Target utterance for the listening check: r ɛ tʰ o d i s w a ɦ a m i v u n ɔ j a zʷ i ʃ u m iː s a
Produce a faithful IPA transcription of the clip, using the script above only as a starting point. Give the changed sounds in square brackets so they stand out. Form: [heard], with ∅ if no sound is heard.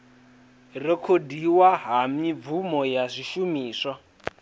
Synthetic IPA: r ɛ [kʰ] o d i [∅] w a ɦ a m i v u [m] ɔ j a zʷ i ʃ u m iː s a